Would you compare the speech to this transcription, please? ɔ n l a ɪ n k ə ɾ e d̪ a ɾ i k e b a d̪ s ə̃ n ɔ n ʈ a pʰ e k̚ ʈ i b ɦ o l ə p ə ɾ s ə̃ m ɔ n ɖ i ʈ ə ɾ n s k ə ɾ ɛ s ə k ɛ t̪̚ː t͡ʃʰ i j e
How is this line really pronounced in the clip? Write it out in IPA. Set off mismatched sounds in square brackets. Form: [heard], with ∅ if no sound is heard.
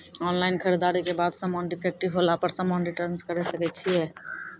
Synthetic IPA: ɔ n l a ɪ n [kʰ] ə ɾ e d̪ a ɾ i k e b a d̪ s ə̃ [m] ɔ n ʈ [i] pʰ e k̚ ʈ i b ɦ o l [a] p ə ɾ s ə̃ m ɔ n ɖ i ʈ ə ɾ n s k ə ɾ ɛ s ə k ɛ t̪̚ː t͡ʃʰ i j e